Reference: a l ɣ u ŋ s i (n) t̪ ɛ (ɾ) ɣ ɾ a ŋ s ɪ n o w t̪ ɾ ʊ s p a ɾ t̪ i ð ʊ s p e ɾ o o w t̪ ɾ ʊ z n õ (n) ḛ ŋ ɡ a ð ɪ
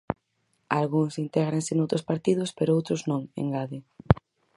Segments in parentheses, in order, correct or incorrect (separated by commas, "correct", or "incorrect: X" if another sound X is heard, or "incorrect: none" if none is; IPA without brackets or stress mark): correct, incorrect: none, incorrect: ŋ